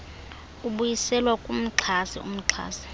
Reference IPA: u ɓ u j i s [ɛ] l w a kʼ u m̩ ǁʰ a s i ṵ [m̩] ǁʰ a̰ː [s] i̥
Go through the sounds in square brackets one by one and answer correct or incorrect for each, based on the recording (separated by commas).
correct, correct, correct